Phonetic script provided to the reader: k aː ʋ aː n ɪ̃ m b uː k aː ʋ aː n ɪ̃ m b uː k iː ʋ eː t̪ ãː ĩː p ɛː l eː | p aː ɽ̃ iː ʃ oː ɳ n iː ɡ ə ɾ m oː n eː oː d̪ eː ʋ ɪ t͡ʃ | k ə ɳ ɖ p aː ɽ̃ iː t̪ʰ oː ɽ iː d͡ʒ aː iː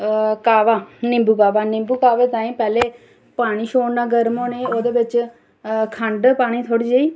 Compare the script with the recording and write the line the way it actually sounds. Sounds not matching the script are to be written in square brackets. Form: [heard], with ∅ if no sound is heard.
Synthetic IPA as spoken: k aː ʋ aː n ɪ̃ m b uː k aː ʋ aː n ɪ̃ m b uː k [aː] ʋ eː t̪ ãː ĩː p ɛː l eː | p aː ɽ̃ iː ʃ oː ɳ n [aː] ɡ ə ɾ m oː n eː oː d̪ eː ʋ ɪ t͡ʃ | [kʰ] ə ɳ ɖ p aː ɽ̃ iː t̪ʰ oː ɽ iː d͡ʒ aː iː